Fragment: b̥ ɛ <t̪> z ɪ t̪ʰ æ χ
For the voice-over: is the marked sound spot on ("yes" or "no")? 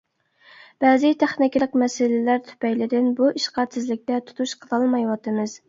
no